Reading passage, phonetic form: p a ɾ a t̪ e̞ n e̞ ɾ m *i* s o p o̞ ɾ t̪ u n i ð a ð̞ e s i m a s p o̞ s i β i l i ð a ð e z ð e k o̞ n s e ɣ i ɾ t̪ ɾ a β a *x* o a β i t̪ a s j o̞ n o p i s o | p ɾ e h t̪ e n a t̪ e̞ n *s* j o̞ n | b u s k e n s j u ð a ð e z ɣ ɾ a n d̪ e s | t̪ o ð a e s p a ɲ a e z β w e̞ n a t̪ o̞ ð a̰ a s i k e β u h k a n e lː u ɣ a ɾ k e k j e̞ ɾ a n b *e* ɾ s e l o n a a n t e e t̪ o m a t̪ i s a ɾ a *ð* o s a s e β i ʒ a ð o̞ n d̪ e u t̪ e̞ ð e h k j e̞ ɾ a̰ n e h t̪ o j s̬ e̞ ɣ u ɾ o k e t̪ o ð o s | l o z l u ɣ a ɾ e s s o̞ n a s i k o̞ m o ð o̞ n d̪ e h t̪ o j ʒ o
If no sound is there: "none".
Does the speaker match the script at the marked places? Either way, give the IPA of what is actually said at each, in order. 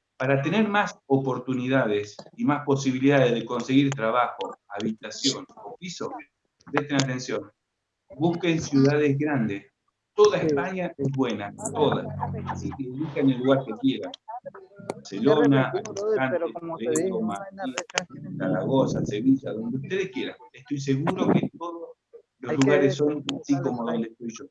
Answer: a, x, s, a, ɣ

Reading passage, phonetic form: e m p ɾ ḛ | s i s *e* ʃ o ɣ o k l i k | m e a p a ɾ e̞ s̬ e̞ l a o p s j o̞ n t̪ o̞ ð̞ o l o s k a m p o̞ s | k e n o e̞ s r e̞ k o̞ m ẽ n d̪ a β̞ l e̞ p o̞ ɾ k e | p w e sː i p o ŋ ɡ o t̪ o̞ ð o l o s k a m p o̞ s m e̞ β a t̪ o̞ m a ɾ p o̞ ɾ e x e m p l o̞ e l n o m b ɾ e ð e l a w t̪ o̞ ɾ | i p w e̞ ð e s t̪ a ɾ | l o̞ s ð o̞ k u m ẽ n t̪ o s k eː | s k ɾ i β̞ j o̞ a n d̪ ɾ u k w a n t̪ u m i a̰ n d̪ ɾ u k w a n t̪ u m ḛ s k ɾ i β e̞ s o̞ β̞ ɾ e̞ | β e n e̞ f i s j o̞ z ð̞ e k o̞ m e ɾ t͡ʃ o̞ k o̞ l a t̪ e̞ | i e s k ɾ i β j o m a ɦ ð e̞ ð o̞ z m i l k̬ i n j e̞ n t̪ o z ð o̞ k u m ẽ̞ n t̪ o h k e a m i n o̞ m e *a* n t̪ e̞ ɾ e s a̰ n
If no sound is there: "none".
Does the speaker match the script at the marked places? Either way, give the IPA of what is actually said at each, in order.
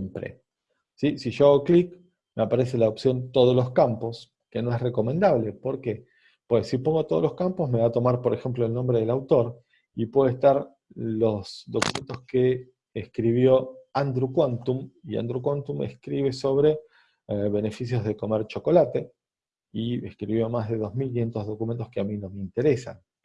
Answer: i, i

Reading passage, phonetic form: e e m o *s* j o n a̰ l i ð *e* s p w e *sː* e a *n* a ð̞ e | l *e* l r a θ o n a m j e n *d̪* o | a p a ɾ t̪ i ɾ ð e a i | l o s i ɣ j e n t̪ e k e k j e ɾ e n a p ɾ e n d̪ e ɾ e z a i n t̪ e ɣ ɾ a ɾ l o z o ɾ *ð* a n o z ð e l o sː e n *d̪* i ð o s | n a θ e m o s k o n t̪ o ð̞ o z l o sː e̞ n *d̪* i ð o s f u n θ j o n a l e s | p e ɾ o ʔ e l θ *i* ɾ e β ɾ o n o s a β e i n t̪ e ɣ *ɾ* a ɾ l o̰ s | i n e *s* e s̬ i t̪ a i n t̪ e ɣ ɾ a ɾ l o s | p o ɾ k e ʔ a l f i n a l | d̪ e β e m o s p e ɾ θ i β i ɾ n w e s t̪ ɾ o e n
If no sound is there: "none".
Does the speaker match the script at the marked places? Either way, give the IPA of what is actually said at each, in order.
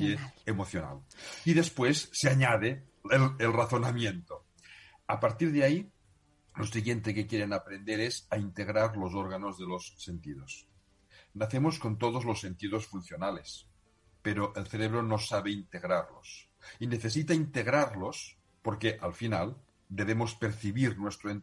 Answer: θ, e, sː, ɲ, e, t̪, ɣ, t̪, t̪, e, ɾ, θ

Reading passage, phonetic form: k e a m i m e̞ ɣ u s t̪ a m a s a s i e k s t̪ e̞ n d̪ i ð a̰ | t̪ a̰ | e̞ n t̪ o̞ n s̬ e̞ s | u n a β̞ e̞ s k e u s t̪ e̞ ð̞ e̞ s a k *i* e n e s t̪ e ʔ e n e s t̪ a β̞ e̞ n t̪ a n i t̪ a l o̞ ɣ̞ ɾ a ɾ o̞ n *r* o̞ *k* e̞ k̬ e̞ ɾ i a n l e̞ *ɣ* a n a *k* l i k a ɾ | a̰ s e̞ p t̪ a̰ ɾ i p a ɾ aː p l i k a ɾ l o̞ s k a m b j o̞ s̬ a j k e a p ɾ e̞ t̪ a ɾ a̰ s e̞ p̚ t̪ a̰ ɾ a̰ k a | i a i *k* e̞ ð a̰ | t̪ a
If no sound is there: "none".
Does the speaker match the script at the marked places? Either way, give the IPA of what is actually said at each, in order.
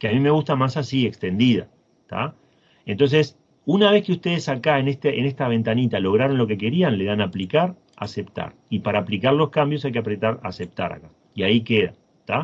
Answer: a, l, k, ð, p, k

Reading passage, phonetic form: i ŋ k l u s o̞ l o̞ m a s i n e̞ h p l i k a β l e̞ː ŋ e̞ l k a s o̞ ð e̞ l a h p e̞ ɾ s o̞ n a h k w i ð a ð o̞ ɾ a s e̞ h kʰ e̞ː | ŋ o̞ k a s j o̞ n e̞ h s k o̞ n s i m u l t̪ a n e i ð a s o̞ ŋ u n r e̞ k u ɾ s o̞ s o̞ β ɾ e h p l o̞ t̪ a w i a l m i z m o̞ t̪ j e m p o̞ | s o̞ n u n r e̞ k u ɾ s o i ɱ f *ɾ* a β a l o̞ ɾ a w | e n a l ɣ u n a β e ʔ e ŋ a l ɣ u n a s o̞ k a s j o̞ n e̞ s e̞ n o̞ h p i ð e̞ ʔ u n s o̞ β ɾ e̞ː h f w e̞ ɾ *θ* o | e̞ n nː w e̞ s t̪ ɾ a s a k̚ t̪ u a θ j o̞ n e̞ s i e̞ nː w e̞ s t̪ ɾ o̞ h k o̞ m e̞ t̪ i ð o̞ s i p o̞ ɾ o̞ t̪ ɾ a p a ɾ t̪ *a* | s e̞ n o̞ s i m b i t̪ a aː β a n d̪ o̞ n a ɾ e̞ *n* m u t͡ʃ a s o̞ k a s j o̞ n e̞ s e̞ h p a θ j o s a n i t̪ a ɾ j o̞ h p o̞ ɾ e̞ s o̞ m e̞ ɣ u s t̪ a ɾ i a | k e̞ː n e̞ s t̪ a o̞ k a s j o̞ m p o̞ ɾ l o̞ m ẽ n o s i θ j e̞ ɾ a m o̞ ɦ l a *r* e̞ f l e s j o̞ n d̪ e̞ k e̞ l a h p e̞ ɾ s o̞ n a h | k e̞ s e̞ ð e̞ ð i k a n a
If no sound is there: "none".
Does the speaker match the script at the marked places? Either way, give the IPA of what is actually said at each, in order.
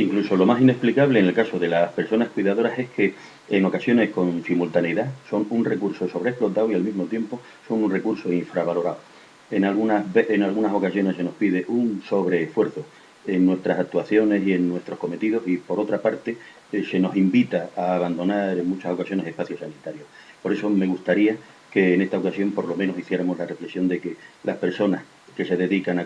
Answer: ɾ, θ, e, ŋ, r

